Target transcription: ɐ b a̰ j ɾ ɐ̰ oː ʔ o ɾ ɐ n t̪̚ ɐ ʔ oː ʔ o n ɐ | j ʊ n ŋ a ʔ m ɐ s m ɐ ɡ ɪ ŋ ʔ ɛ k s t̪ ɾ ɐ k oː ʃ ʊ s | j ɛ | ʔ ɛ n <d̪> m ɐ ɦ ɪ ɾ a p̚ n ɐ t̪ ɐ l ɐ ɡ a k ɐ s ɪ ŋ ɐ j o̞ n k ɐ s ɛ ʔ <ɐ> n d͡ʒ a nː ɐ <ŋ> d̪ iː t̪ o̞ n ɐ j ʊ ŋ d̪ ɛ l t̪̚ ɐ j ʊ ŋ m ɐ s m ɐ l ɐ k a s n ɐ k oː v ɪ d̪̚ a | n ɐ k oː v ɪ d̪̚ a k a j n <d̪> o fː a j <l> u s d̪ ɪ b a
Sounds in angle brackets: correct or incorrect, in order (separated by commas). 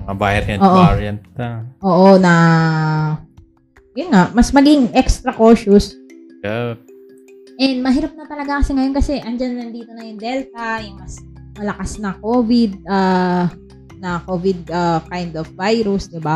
correct, correct, incorrect, correct, incorrect